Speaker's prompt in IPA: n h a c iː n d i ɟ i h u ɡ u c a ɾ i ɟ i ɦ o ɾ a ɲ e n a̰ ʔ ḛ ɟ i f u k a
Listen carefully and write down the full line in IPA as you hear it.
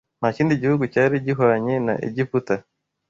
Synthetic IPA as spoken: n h a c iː n d i ɟ i h u ɡ u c a ɾ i ɟ i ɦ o ɾ a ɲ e n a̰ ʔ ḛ ɟ i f u t a